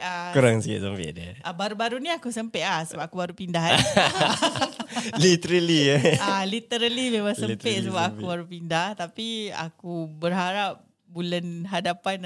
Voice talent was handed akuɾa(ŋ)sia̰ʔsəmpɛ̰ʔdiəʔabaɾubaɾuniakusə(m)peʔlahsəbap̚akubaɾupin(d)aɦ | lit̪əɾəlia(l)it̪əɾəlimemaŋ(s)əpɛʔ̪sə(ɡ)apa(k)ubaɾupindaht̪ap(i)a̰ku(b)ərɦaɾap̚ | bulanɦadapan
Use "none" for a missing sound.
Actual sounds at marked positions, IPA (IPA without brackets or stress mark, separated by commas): ŋ, m, d, l, s, b, k, i, b